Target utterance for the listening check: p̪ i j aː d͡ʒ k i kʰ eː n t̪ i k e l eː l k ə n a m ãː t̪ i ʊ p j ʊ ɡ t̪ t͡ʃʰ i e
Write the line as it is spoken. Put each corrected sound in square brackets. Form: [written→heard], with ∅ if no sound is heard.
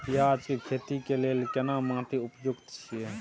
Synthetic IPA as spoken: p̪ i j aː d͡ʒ k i kʰ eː [n→∅] t̪ i k e l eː l k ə n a m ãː t̪ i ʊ p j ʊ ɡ t̪ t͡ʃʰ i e